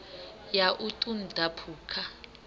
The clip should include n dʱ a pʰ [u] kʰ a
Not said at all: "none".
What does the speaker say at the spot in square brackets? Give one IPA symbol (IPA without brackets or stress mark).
uː